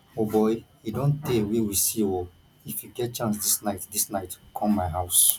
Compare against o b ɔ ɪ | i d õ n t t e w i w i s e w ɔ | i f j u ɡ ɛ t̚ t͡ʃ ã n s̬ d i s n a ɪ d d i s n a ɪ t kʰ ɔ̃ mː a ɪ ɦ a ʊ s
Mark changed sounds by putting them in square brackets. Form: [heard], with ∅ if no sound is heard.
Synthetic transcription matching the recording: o b ɔ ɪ | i d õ n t t e w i w i s [i] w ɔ | i f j u ɡ ɛ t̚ t͡ʃ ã n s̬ d i s n a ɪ [t] d i s n a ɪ t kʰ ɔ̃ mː a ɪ ɦ a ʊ s